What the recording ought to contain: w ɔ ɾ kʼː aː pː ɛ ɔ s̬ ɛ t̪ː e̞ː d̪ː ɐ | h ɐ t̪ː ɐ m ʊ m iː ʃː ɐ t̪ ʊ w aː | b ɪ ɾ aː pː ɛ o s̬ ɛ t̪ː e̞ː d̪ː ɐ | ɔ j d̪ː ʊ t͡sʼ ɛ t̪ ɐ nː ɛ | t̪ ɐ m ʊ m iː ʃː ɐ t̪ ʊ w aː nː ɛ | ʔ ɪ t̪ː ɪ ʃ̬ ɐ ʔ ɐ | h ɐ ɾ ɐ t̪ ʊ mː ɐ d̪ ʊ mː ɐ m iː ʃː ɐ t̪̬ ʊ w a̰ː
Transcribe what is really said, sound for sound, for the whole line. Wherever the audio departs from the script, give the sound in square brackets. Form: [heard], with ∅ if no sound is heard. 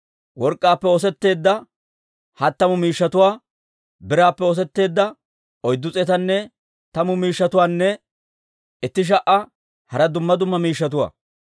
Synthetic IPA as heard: w ɔ ɾ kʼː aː pː ɛ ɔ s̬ ɛ t̪ː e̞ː d̪ː ɐ | h ɐ t̪ː ɐ m ʊ m iː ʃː ɐ t̪ ʊ w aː | b ɪ ɾ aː pː ɛ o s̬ ɛ t̪ː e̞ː d̪ː ɐ | ɔ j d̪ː ʊ t͡sʼ ɛ t̪ ɐ nː ɛ | t̪ ɐ m ʊ m iː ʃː ɐ t̪ ʊ w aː nː ɛ | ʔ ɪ t̪ː ɪ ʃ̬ ɐ ʔ ɐ | h ɐ ɾ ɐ [d̪] ʊ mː ɐ d̪ ʊ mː ɐ m iː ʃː ɐ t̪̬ ʊ w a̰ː